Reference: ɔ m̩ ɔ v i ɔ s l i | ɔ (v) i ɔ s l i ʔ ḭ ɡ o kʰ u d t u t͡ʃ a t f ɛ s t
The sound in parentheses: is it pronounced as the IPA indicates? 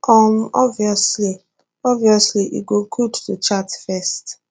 yes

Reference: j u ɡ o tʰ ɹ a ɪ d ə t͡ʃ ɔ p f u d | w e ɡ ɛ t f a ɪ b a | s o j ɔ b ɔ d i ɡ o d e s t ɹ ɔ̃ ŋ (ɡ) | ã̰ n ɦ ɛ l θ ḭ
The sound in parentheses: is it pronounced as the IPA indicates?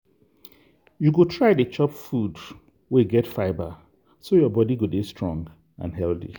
yes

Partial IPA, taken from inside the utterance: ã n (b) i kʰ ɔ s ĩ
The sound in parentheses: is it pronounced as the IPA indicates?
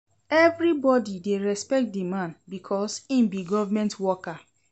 yes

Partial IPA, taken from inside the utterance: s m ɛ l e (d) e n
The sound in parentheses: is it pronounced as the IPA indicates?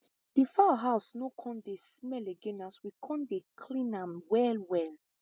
no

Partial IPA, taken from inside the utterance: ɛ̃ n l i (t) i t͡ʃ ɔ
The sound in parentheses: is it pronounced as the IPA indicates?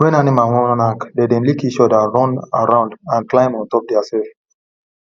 no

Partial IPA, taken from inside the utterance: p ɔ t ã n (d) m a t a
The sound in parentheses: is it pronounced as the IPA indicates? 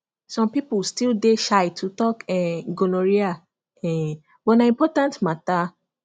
no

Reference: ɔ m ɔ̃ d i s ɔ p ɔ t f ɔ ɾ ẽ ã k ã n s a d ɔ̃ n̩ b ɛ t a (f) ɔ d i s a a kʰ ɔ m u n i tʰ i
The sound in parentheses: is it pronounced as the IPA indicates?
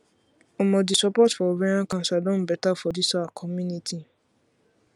yes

